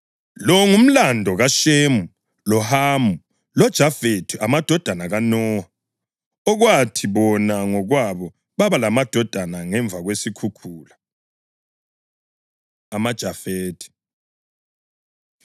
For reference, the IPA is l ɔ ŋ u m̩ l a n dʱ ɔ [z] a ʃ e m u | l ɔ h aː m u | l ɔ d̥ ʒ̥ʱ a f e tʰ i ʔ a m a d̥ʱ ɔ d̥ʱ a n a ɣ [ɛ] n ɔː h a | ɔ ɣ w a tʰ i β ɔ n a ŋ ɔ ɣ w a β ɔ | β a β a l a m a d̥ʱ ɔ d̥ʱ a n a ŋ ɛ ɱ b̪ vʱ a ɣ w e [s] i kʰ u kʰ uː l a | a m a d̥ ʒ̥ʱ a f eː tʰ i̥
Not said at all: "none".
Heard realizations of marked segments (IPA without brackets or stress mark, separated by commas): ɣ, a, s